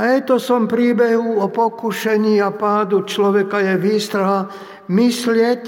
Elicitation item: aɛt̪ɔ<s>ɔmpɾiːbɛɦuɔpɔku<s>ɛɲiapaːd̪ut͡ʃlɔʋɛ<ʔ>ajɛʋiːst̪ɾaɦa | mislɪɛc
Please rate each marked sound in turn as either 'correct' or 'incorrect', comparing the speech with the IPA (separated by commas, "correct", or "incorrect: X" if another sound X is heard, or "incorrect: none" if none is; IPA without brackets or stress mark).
correct, incorrect: ʃ, incorrect: k